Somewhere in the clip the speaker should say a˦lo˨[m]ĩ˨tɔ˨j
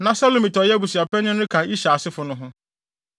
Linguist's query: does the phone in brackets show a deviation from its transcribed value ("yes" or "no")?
no